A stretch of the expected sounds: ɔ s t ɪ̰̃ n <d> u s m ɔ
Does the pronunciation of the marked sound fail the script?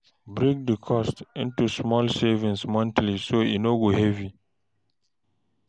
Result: yes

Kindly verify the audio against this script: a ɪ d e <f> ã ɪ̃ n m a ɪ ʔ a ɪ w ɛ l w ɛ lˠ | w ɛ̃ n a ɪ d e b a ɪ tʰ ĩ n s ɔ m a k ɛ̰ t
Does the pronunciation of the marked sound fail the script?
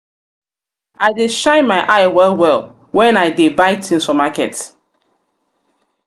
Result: yes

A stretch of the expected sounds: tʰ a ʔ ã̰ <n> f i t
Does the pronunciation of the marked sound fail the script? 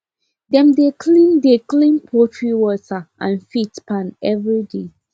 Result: no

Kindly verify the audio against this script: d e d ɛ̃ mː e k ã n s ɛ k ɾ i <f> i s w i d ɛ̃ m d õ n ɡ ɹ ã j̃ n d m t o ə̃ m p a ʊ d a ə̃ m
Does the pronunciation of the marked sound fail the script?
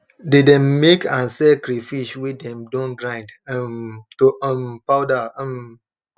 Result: no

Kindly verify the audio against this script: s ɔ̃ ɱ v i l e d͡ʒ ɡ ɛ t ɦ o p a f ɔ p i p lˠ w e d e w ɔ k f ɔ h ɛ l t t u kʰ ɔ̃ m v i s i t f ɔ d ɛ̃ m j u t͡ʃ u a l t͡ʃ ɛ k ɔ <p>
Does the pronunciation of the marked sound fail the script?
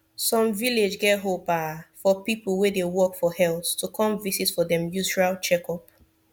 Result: no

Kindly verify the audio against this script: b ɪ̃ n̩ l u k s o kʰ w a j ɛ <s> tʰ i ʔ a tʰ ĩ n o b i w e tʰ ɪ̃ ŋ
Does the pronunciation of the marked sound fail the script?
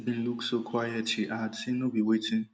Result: yes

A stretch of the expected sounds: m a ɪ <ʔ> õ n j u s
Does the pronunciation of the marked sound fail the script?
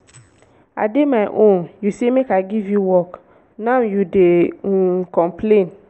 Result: no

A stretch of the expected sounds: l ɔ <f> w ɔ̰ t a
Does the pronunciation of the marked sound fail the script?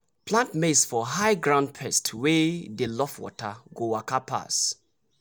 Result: no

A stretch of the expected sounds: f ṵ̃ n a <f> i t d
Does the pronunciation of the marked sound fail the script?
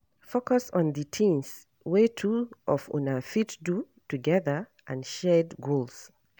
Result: no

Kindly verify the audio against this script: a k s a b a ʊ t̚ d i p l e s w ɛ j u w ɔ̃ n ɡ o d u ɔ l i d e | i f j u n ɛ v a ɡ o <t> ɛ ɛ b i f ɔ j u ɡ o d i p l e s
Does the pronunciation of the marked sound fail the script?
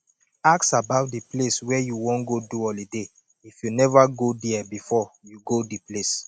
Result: yes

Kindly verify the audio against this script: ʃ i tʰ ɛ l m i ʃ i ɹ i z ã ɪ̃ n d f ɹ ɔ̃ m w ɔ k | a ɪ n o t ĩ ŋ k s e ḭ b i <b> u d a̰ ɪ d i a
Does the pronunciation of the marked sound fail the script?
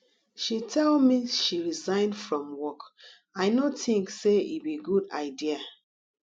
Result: yes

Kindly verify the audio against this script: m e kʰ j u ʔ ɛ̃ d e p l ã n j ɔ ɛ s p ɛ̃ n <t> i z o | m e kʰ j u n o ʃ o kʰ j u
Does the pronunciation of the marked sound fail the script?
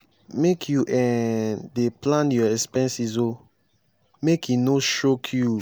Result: yes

